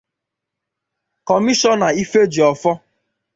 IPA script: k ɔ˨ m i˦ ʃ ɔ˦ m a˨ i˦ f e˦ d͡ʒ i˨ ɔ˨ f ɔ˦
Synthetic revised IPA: k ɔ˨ m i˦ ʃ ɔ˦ n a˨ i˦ f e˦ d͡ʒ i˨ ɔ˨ f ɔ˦